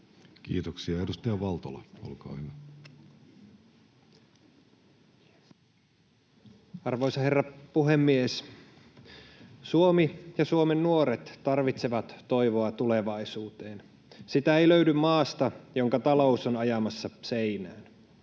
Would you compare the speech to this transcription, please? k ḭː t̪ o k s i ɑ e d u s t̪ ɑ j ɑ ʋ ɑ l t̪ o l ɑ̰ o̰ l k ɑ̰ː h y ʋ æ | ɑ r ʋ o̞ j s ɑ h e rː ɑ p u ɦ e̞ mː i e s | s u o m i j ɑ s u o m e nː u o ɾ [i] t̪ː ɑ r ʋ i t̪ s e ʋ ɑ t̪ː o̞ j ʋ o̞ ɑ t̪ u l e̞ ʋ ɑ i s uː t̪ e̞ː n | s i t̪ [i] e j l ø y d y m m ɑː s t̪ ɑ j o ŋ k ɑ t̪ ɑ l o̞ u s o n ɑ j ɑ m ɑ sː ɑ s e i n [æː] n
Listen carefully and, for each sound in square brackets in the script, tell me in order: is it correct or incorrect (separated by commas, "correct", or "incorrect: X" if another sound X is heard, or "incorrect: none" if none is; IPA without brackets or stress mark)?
incorrect: e, incorrect: æ, correct